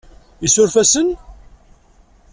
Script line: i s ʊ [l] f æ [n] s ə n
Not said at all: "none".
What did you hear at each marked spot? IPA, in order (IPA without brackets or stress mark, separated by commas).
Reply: ɾ, none